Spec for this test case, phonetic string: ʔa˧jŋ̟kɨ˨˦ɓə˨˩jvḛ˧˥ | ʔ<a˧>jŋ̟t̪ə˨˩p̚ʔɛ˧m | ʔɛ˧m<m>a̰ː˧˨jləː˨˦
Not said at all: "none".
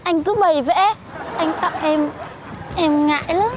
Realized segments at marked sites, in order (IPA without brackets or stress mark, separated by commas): a˧, ŋ